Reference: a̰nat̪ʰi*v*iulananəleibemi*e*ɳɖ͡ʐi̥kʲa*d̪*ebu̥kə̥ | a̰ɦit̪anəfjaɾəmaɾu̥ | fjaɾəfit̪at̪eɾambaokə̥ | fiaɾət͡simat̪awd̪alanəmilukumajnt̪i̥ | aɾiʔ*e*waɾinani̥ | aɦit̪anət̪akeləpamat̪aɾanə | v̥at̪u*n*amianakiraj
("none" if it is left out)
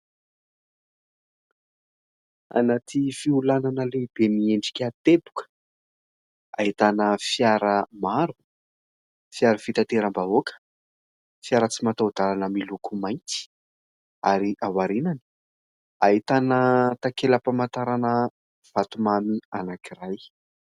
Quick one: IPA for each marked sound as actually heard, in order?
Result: f, e, t̪, a, m

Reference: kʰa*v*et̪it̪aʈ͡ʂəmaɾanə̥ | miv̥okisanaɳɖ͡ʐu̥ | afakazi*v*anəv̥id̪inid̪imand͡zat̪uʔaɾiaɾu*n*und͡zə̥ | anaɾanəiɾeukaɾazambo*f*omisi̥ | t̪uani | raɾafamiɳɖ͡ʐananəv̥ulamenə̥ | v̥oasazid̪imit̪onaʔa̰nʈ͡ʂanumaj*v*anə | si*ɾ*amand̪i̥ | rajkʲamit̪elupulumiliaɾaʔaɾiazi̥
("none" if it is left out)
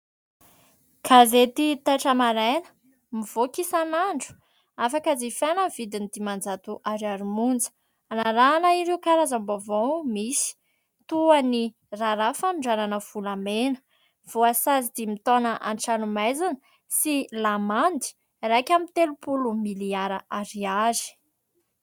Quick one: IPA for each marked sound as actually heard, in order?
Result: z, f, m, v, z, l

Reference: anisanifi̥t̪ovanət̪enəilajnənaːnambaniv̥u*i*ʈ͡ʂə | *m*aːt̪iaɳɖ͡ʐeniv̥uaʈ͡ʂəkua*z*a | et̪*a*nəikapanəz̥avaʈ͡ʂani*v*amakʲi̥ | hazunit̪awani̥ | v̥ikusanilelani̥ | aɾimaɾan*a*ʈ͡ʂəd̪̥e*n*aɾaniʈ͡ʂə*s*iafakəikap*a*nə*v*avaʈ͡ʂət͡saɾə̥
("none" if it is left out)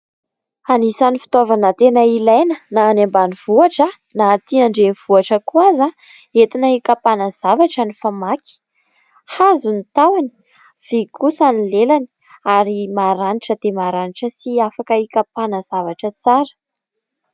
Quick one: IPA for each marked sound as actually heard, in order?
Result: a, n, z, i, f, i, m, s, a, z

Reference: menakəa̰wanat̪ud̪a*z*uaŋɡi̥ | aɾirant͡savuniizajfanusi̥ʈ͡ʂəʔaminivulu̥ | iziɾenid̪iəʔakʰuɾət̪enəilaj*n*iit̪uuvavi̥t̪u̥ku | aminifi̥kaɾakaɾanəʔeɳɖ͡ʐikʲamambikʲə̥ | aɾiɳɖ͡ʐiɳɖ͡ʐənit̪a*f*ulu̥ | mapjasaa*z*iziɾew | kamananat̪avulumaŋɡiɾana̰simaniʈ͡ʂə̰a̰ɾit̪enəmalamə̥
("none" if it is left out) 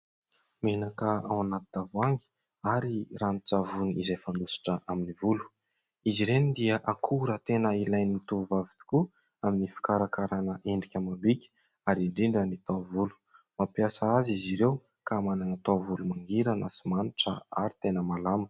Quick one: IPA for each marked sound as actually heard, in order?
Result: v, n, v, z

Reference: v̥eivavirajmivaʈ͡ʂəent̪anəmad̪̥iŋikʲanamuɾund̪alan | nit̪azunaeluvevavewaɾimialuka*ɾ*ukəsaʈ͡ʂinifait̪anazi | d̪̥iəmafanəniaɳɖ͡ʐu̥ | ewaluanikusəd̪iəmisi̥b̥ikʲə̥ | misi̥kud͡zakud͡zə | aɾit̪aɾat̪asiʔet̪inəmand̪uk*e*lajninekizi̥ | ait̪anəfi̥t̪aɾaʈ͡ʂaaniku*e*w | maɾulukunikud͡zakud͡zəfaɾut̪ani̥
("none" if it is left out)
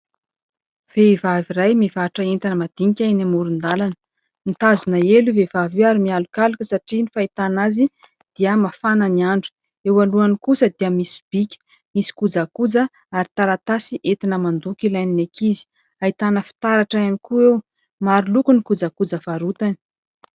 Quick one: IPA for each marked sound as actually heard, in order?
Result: l, i, e

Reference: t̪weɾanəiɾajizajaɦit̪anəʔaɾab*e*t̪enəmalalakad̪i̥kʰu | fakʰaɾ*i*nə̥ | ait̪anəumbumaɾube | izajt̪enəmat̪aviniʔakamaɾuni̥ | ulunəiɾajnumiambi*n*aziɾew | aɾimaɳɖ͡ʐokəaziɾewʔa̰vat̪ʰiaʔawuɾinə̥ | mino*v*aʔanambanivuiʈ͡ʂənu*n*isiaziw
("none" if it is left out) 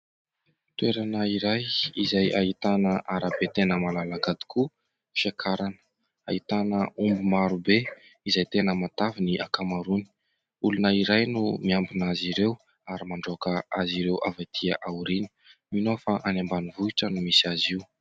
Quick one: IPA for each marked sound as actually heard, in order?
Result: e, a, n, f, m

